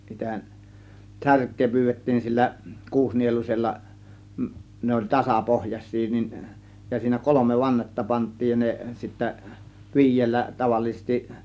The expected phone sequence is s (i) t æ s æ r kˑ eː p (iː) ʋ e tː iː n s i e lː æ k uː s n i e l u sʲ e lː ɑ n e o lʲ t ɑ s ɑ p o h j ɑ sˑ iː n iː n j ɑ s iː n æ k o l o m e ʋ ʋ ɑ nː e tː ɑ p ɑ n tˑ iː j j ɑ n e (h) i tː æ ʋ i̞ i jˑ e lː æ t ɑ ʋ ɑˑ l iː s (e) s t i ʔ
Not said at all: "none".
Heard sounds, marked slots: i, yː, s, e

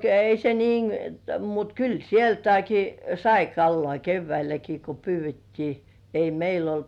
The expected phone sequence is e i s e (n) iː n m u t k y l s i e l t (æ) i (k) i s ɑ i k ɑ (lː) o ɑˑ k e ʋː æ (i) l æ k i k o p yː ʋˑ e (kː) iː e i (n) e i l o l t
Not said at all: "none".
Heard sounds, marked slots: n, æ, k, lː, i, tː, m

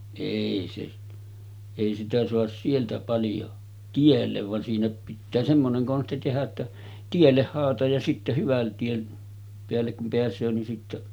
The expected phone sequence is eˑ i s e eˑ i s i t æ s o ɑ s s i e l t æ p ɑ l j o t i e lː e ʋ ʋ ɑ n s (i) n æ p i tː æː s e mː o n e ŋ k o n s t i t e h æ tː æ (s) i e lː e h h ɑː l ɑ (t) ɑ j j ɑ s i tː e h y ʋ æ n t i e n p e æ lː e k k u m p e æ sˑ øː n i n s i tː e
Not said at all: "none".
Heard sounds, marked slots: iː, t, t

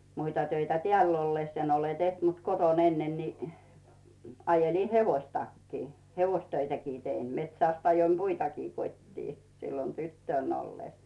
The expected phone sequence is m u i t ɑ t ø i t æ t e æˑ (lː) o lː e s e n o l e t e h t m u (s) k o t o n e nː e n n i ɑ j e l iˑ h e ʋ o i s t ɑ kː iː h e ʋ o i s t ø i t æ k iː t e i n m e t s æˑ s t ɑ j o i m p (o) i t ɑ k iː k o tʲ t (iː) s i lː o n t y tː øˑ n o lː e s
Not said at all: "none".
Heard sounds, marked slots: lː, t, u, iː

